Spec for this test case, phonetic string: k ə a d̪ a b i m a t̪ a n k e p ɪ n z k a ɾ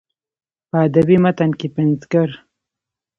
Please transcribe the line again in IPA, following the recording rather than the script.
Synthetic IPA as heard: p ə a d̪ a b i m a t̪ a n k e p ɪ n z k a ɾ